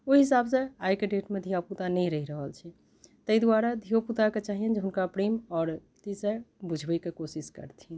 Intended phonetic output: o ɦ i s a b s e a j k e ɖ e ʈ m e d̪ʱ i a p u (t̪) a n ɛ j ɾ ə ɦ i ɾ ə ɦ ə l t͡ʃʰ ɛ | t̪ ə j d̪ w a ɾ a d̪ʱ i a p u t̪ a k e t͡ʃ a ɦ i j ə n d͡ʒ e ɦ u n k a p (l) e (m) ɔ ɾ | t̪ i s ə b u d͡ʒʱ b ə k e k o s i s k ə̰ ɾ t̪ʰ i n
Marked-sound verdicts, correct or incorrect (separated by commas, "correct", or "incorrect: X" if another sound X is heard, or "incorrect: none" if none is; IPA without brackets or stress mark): correct, incorrect: ɾ, correct